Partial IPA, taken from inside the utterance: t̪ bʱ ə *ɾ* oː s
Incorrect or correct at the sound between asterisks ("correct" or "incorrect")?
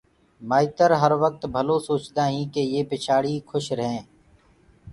incorrect